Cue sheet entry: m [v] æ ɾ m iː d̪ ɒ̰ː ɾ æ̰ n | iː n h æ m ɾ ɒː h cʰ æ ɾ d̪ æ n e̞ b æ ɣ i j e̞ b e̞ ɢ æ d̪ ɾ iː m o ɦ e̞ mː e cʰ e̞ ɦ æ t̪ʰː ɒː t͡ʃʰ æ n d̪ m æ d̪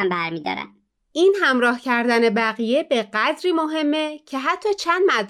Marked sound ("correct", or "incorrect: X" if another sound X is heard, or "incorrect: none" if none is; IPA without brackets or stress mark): incorrect: b